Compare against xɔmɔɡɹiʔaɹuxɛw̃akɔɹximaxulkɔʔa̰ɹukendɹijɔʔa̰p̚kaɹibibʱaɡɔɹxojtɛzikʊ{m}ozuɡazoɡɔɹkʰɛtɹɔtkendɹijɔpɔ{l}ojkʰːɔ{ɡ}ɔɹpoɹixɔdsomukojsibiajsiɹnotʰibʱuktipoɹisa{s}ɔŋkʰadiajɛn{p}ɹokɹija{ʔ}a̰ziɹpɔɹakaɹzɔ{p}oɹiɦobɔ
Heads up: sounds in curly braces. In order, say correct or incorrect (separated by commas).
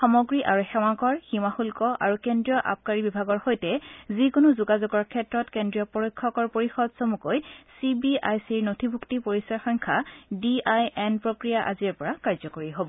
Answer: incorrect, incorrect, incorrect, incorrect, correct, correct, incorrect